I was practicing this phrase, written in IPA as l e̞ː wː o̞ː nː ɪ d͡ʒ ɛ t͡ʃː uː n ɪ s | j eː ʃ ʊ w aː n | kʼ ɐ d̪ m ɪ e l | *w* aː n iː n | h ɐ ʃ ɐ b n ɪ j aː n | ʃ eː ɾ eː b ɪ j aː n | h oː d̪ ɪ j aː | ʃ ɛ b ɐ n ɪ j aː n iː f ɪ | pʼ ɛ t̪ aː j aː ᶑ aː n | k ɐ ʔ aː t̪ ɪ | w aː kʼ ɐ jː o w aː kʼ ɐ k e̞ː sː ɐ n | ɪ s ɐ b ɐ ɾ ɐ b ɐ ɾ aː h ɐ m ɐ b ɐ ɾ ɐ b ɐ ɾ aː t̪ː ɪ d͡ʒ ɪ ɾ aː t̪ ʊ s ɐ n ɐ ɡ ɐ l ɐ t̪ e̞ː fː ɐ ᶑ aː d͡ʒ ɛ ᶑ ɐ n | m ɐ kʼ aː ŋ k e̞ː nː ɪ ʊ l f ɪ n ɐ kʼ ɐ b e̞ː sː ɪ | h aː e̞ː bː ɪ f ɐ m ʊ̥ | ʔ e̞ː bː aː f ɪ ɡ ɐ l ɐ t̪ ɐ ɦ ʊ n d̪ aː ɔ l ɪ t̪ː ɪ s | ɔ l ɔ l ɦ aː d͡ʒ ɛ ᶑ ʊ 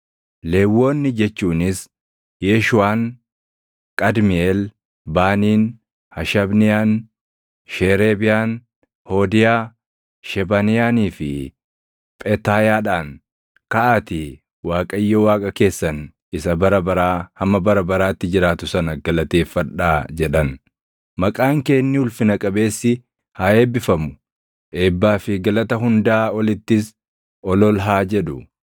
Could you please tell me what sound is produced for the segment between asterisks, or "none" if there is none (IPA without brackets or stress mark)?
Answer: b